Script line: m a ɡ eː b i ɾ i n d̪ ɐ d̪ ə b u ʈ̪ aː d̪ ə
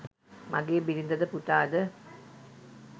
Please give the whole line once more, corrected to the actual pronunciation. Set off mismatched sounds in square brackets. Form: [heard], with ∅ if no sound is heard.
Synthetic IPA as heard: m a ɡ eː b i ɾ i n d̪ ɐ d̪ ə [p] u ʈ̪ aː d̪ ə